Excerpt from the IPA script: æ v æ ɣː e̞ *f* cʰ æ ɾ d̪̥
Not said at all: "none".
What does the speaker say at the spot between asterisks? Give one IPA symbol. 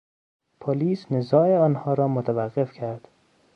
f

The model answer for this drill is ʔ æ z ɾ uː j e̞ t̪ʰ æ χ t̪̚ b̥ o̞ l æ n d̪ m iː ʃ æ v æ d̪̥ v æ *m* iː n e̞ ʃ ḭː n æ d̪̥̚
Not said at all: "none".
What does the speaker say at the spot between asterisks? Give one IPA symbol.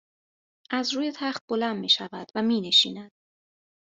m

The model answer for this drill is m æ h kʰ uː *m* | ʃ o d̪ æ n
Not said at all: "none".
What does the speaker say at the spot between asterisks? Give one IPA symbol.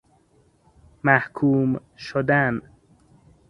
m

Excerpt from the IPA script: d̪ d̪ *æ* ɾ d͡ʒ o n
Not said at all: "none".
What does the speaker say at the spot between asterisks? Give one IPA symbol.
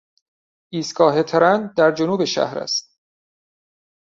æ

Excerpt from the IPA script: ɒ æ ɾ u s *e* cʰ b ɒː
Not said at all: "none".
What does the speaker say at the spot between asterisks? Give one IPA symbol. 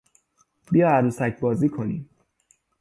æ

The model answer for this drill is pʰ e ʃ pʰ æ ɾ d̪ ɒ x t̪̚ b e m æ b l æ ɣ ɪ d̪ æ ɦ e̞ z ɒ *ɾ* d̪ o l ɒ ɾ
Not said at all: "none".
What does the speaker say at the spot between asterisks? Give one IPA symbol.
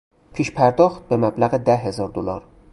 ɾ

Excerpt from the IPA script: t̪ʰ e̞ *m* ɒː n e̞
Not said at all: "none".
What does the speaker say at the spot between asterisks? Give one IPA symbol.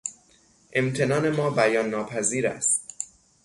n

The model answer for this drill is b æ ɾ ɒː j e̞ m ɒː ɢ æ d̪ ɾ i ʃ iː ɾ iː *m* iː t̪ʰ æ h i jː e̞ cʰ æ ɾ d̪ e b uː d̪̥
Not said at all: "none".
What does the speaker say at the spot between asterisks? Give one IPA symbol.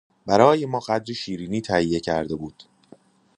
n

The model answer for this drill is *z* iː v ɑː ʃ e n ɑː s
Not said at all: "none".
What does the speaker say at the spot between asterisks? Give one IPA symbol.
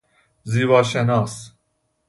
z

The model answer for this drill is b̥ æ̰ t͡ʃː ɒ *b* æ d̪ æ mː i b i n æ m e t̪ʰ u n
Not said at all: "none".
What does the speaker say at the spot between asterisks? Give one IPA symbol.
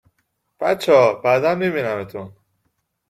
b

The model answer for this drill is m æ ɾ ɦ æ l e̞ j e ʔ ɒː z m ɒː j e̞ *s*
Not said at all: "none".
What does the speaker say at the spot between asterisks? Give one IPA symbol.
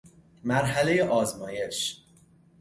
ʃ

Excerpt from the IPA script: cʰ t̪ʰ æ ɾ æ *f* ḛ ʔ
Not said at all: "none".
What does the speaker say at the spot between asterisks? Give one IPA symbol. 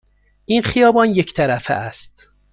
f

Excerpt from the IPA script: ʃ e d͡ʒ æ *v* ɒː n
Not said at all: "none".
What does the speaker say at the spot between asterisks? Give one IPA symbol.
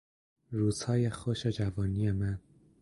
v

